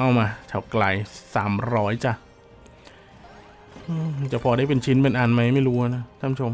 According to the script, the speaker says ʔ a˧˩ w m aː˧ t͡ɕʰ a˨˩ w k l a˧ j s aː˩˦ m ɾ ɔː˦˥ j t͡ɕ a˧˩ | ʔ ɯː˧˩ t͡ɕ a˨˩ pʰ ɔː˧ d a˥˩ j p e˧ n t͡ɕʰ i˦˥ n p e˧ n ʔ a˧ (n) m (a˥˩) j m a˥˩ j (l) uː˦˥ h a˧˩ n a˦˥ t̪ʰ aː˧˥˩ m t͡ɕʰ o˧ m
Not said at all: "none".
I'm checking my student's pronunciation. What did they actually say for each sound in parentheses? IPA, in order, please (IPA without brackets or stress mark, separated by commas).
n, a˦˥, ɾ